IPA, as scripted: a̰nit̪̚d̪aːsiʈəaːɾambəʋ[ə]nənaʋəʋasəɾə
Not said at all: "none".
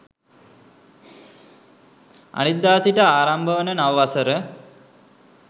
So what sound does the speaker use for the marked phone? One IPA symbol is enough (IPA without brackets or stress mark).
ə